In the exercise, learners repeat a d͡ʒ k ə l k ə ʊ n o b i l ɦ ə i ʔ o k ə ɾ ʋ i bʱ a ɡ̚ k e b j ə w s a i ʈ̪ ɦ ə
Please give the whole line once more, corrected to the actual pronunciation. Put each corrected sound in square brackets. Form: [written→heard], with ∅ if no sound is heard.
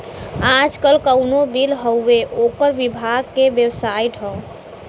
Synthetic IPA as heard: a d͡ʒ k ə l k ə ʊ n o b i l ɦ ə [i→e] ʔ o k ə ɾ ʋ i bʱ a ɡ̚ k e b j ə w s a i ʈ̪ ɦ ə

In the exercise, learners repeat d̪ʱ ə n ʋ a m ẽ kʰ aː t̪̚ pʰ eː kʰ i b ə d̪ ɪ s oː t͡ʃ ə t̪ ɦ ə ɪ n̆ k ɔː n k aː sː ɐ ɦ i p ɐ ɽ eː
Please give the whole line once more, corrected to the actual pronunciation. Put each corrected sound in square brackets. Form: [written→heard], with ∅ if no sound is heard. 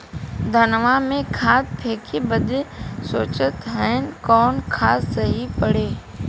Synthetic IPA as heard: d̪ʱ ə n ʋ a m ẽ kʰ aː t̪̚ pʰ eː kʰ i b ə d̪ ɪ s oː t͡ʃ ə t̪ ɦ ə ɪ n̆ k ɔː n [k→kʰ] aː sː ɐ ɦ i p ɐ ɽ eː

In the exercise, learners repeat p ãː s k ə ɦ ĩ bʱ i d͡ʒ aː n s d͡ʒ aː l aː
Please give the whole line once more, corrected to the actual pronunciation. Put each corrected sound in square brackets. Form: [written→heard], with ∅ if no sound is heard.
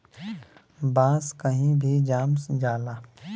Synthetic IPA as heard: [p→b] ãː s k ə ɦ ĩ bʱ i d͡ʒ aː [n→m] s d͡ʒ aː l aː

